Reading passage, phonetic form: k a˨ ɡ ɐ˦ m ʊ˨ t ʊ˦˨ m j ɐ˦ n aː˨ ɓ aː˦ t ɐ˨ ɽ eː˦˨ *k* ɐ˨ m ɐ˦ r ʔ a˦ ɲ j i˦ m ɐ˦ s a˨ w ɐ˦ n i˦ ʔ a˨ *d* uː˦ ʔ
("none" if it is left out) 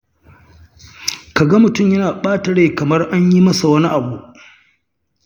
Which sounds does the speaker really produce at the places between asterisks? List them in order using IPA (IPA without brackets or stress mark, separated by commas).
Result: k, b